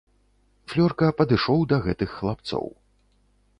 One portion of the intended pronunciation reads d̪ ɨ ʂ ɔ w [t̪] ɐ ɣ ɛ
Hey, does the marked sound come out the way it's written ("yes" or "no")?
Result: no